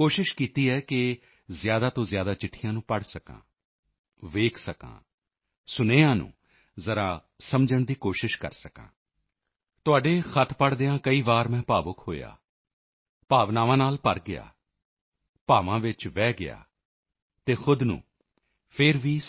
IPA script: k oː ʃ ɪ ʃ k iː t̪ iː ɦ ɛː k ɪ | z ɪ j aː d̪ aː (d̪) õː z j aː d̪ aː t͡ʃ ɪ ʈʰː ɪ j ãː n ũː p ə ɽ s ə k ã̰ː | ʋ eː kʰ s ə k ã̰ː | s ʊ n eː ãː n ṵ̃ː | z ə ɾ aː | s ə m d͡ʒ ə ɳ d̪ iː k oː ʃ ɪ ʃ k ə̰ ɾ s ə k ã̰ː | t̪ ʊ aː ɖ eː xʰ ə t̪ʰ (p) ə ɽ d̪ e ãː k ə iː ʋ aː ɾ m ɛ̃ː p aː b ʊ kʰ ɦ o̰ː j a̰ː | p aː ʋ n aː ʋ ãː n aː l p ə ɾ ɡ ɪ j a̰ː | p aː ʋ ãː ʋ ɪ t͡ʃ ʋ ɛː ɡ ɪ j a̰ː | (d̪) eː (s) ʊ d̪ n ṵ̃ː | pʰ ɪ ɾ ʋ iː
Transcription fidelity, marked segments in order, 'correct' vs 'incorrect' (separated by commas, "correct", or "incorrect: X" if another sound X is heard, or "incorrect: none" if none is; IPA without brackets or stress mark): incorrect: t̪, correct, incorrect: t̪, incorrect: x